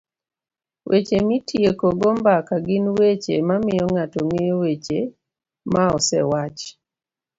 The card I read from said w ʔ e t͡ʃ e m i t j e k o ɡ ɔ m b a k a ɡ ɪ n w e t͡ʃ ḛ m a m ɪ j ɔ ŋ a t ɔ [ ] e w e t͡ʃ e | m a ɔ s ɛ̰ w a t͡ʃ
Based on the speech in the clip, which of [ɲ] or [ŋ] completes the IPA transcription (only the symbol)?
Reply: ŋ